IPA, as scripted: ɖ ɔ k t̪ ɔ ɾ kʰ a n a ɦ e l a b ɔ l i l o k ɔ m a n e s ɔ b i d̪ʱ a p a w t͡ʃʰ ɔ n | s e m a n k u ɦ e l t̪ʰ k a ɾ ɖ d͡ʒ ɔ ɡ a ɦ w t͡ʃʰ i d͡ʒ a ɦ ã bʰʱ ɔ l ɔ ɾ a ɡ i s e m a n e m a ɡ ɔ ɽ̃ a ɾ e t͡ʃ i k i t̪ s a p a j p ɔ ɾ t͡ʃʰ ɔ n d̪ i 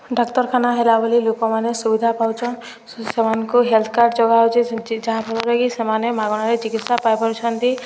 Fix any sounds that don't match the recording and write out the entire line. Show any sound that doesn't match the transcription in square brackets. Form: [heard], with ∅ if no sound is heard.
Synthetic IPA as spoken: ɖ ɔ k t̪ ɔ ɾ kʰ a n a ɦ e l a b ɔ l i l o k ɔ m a n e s [u] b i d̪ʱ a p a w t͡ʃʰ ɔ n | s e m a n k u ɦ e l t̪ʰ k a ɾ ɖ d͡ʒ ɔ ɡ a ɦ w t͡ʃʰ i d͡ʒ a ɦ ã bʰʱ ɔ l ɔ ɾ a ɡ i s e m a n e m a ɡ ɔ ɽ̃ a ɾ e t͡ʃ i k i t̪ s a p a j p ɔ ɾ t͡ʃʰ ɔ n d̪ i